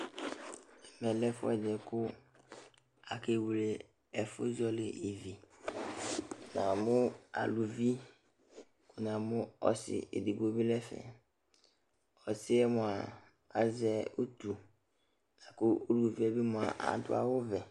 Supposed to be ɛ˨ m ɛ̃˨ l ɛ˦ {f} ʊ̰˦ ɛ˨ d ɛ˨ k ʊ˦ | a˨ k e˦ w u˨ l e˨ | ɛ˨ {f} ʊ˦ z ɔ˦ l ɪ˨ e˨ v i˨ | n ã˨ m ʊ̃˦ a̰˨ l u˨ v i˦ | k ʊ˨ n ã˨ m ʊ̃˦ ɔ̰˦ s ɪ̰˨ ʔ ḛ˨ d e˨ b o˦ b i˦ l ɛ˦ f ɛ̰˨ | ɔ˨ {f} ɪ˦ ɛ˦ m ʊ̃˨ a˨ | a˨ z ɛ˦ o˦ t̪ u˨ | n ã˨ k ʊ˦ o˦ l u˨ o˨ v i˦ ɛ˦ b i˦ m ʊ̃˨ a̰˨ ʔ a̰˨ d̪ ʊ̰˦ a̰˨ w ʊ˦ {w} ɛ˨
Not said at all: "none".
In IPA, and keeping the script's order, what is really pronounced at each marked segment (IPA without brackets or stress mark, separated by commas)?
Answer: f, f, s, v